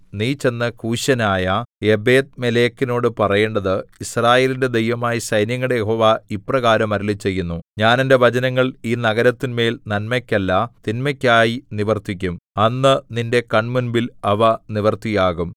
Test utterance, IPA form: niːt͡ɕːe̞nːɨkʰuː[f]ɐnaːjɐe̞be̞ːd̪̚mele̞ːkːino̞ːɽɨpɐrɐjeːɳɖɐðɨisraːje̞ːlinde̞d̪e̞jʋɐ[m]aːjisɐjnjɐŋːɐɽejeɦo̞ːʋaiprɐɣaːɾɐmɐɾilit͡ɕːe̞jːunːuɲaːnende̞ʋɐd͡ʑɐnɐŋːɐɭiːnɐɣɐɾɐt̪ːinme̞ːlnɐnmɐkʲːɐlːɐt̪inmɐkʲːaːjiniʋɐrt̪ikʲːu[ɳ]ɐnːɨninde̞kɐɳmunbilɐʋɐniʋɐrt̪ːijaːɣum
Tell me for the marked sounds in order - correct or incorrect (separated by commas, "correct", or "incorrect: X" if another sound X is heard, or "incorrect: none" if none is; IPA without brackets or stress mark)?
incorrect: ɕ, correct, incorrect: m